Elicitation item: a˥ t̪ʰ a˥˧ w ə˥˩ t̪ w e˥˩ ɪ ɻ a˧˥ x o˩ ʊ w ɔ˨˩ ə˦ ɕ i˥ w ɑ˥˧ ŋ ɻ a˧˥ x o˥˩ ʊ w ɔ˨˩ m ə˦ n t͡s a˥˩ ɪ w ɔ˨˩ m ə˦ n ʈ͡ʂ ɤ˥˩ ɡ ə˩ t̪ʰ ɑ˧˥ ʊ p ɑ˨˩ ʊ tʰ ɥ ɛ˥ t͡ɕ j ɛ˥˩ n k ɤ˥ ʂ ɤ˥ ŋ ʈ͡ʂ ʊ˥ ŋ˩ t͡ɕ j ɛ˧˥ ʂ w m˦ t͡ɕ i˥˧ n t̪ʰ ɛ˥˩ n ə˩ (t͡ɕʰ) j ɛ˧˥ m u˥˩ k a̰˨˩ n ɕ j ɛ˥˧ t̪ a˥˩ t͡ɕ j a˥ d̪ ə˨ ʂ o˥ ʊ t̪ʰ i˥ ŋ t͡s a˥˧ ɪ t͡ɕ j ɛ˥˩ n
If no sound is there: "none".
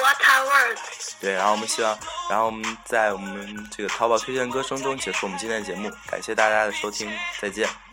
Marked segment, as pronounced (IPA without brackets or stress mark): t͡ɕ